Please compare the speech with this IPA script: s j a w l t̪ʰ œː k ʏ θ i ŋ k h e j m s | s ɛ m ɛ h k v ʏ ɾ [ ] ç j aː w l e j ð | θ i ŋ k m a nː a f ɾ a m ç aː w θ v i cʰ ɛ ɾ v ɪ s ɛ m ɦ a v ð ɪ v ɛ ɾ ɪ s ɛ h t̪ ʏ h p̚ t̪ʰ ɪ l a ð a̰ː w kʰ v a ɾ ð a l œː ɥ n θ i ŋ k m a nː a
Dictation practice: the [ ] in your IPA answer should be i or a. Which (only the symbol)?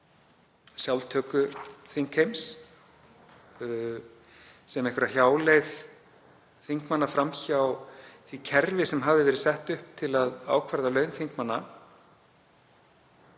a